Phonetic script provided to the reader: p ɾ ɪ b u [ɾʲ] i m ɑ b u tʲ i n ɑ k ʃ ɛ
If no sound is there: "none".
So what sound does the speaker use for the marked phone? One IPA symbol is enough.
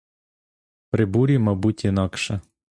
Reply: ɾʲ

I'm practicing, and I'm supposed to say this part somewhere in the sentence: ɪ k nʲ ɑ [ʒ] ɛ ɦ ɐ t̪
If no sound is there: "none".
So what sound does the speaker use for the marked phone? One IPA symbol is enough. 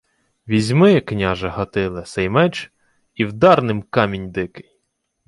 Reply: ʒ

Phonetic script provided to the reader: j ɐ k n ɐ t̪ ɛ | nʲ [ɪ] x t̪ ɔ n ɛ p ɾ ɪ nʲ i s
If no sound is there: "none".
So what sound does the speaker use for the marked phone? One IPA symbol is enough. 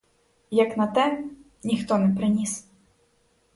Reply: i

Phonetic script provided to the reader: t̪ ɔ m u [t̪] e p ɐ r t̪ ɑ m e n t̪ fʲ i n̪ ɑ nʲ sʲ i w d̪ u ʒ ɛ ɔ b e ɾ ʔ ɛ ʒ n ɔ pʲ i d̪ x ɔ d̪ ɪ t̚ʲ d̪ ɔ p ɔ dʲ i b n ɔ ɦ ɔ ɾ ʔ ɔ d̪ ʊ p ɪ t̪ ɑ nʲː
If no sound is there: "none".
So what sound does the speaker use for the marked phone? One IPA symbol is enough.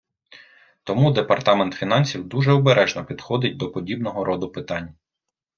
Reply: d̪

